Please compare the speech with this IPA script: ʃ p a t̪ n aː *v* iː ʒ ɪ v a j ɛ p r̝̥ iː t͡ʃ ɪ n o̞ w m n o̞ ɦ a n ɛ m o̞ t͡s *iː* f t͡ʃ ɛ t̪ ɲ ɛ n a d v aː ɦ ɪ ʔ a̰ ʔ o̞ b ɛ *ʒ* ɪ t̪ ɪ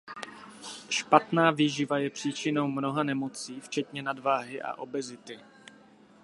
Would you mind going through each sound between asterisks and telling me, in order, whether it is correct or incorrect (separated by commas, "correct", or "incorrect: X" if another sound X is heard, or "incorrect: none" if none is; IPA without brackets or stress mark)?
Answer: correct, correct, incorrect: z